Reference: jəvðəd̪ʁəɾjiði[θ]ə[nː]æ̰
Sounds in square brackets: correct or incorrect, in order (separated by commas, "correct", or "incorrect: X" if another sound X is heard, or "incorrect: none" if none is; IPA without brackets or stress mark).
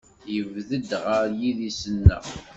incorrect: s, correct